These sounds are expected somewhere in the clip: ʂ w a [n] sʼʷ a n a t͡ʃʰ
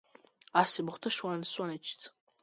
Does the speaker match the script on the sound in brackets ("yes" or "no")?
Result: yes